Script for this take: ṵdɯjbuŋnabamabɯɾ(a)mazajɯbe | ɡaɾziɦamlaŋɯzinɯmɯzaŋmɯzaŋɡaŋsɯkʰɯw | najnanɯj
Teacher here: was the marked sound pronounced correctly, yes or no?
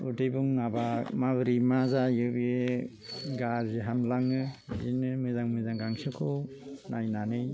no